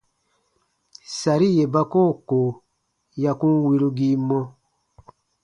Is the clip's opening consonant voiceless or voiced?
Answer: voiceless